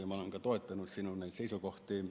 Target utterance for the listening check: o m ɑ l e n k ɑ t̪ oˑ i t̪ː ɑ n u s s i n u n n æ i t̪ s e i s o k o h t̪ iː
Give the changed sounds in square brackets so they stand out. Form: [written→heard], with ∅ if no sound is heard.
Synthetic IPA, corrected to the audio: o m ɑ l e [n→ŋ] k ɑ t̪ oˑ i t̪ː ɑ n u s s i n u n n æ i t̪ s e i s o k o h t̪ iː